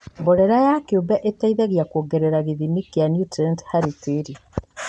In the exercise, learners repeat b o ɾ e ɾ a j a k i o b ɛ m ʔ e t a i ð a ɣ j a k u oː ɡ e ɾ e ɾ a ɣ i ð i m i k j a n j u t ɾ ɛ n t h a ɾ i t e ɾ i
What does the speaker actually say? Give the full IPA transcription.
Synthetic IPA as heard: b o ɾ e ɾ a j a k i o b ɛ ʔ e t a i ð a ɣ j a k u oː ɡ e ɾ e ɾ a ɣ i ð i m i k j a n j u t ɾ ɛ n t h a ɾ i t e ɾ i